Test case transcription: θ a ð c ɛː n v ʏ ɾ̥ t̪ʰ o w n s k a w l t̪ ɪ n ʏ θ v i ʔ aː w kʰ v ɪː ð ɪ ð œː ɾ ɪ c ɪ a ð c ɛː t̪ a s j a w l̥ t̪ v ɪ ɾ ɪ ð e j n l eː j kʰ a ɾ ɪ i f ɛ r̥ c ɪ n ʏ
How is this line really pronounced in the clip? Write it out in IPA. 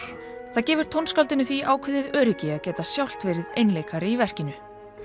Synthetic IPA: θ a ð c ɛː v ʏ ɾ̥ t̪ʰ o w n s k a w l t̪ ɪ n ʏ θ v i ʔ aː w kʰ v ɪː ð ɪ ð œː ɾ ɪ c ɪ a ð c ɛː t̪ a s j a w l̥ t̪ v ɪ ɾ ɪ ð e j n l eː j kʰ a ɾ ɪ i v ɛ r̥ c ɪ n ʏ